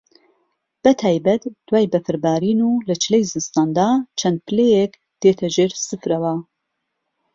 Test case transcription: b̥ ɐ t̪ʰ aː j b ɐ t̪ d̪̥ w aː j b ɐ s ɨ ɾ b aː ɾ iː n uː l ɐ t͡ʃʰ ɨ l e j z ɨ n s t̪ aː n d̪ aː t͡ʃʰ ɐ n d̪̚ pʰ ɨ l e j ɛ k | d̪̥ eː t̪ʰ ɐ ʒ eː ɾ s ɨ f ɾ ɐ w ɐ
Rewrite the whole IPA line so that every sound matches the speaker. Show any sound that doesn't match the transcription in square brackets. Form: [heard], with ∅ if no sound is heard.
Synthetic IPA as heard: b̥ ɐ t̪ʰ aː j b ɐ t̪ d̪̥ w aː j b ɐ [f] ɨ ɾ b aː ɾ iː n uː l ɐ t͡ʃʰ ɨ l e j z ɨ n s t̪ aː n d̪ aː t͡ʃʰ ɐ n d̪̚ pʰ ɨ l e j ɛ k | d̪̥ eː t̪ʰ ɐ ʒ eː ɾ s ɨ f ɾ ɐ w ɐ